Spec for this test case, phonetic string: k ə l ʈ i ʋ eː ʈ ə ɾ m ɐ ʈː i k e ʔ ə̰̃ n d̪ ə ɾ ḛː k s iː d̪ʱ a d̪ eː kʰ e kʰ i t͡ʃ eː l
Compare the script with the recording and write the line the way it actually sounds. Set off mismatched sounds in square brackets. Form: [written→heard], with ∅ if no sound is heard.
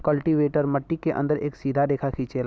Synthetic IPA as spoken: k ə l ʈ i ʋ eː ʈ ə ɾ m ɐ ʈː i k e ʔ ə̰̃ n d̪ ə ɾ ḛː k s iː d̪ʱ a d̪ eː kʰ [e→a] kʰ i t͡ʃ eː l